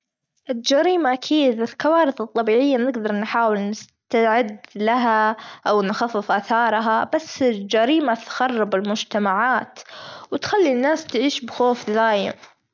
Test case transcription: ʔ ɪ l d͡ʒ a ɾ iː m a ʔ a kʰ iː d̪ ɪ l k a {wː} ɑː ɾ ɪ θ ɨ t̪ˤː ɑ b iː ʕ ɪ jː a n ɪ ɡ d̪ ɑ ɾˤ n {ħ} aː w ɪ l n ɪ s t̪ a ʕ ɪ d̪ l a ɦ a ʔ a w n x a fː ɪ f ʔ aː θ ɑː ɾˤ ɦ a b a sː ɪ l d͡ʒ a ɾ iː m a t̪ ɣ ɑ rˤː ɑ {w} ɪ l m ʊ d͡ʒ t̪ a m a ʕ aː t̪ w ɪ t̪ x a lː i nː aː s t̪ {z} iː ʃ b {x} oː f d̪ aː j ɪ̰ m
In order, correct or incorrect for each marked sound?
incorrect: w, correct, incorrect: b, incorrect: ʕ, correct

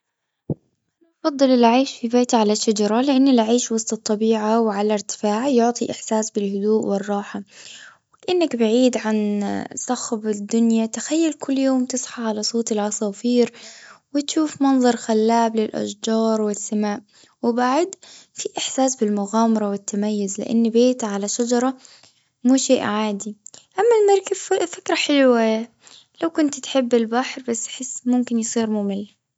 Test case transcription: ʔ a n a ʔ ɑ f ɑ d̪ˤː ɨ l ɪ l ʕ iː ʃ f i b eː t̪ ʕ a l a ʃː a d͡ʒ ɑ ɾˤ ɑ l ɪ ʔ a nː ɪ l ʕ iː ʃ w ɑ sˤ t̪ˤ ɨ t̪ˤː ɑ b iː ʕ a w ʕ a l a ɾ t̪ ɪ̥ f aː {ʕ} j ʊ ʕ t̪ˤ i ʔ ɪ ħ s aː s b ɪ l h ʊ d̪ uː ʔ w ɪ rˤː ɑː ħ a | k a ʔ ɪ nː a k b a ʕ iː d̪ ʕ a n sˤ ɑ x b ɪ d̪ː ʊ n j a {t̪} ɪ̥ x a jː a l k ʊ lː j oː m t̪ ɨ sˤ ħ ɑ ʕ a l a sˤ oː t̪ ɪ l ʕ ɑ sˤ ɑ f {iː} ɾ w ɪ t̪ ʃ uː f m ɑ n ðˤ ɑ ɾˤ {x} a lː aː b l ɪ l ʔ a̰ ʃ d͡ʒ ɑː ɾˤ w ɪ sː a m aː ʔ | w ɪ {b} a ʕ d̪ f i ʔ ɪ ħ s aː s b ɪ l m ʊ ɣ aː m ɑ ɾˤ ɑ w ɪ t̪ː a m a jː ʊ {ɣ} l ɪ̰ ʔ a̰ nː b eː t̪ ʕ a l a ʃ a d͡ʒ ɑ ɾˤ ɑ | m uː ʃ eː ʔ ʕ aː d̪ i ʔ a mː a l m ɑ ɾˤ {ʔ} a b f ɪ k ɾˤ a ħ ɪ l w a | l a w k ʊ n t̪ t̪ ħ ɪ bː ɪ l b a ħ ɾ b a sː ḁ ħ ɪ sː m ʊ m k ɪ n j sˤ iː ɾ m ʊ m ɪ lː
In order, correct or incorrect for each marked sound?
correct, correct, correct, correct, correct, incorrect: z, incorrect: k

